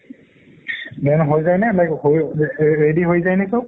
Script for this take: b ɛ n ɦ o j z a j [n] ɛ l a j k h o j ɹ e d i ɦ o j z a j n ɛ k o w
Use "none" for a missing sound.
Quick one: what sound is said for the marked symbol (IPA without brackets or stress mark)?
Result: n